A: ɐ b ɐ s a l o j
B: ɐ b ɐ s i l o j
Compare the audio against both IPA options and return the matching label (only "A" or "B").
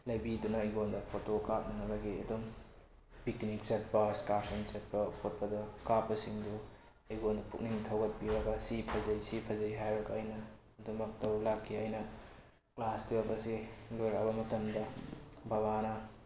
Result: B